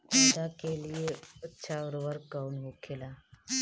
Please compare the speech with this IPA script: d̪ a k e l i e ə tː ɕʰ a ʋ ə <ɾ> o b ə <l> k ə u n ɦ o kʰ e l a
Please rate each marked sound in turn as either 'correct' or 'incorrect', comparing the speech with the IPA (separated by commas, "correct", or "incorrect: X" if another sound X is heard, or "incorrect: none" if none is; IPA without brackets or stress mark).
correct, incorrect: ɾ